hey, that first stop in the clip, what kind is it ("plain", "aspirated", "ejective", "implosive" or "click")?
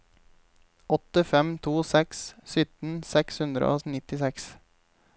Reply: plain